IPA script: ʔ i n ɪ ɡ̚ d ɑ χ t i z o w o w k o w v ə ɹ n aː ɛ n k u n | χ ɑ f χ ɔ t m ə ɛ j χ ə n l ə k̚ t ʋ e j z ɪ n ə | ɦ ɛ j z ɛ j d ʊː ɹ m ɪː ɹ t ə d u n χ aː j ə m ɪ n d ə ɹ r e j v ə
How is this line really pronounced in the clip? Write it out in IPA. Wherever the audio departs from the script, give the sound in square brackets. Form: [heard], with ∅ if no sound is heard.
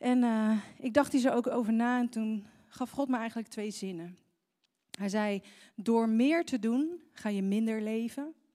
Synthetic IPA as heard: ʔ [ɛ] n ɪ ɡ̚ d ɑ χ t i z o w o w k o w v ə ɹ n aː ɛ n [t] u n | χ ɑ f χ ɔ t m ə ɛ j χ ə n l ə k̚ t ʋ e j z ɪ n ə | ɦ ɛ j z ɛ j d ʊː ɹ m ɪː ɹ t ə d u n χ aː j ə m ɪ n d ə ɹ [l] e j v ə